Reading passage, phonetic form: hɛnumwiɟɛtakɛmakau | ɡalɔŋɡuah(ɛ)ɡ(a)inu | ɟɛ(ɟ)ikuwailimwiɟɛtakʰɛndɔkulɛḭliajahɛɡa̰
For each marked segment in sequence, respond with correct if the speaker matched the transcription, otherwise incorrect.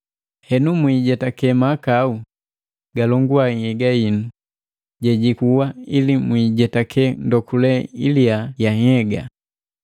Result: correct, correct, correct

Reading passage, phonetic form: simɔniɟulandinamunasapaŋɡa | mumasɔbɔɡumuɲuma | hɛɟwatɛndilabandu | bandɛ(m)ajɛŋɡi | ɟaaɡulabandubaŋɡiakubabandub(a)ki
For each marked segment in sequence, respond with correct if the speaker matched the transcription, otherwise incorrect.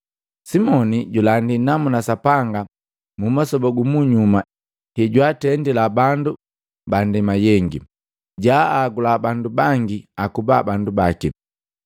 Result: correct, correct

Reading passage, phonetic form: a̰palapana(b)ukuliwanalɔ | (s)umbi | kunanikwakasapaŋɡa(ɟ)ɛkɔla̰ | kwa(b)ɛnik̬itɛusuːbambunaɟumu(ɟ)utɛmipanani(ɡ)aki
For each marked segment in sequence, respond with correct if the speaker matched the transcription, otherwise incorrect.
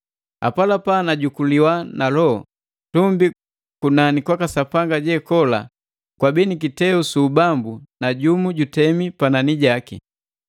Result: incorrect, incorrect, correct, correct, correct, incorrect

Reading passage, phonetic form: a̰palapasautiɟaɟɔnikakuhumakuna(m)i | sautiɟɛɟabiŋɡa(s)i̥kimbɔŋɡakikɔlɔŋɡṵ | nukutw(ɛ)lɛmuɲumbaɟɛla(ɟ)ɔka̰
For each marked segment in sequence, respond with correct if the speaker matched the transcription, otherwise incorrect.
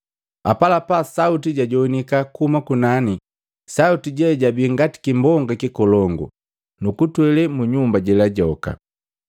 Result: incorrect, incorrect, correct, correct

